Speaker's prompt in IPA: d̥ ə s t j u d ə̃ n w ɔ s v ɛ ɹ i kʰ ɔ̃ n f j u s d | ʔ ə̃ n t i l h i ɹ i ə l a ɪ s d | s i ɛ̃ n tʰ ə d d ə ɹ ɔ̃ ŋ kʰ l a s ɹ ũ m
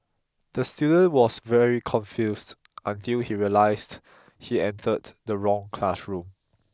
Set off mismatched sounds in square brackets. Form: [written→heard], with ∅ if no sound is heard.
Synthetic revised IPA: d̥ ə s t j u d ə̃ n w ɔ s v ɛ ɹ i kʰ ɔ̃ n f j u s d | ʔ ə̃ n t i l h i ɹ i ə l a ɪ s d | [s→h] i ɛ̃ n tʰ ə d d ə ɹ ɔ̃ ŋ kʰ l a s ɹ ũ m